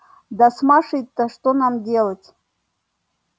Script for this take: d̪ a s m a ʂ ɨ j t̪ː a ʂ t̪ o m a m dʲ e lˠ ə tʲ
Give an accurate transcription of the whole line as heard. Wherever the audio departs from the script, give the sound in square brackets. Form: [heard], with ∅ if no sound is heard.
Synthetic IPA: d̪ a s m a ʂ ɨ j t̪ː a ʂ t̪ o [n] a m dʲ e lˠ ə tʲ